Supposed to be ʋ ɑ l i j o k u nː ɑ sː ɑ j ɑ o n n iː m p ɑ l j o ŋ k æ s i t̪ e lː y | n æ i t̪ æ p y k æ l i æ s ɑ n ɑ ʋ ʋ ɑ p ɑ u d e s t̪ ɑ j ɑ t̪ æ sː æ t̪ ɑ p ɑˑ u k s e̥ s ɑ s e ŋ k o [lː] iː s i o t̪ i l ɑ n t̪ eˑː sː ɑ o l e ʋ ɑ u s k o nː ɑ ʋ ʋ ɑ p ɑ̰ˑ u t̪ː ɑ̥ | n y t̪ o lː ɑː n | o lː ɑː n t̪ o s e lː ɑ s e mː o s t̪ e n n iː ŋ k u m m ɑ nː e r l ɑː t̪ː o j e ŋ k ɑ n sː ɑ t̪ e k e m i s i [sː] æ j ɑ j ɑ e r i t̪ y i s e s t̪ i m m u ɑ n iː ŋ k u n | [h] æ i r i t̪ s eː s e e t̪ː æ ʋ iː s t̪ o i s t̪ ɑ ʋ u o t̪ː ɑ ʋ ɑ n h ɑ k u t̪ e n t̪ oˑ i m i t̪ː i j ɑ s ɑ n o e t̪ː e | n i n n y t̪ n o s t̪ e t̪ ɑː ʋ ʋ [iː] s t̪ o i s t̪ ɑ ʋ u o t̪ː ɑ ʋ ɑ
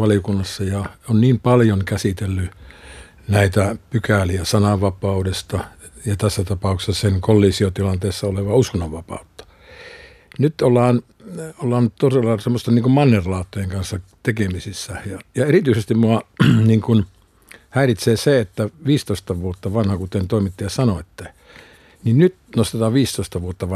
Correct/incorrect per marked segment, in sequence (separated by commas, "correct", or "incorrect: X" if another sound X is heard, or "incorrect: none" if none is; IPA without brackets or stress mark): correct, correct, correct, correct